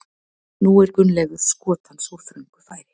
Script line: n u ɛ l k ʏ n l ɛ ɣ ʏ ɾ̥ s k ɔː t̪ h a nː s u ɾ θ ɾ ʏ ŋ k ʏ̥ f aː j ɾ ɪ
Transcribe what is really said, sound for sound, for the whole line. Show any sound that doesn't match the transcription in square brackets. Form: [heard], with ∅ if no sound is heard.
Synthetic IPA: n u ɛ [ɾ] k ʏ n l ɛ ɣ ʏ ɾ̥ s k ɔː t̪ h a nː s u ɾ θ ɾ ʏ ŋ k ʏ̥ f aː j ɾ ɪ

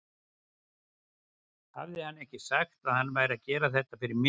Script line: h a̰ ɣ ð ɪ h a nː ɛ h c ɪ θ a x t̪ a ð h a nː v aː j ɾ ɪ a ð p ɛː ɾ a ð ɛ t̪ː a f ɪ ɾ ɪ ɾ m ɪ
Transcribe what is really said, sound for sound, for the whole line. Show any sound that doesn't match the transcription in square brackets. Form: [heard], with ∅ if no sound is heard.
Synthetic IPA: h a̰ [v] ð ɪ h a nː ɛ h c ɪ [s] a x t̪ a ð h a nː v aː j ɾ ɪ a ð [c] ɛː ɾ a [θ] ɛ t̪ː a f ɪ ɾ ɪ ɾ m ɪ

